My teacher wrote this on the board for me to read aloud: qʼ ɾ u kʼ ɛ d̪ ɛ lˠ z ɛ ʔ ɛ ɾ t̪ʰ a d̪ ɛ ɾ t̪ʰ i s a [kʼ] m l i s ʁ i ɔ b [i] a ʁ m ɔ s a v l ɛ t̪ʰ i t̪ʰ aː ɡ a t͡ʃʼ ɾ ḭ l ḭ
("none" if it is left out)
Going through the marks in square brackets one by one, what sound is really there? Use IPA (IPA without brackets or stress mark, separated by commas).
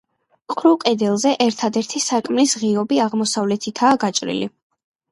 kʼ, i